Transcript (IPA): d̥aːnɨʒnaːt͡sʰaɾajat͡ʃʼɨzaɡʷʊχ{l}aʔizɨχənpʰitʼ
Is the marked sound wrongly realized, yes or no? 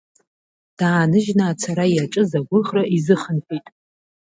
yes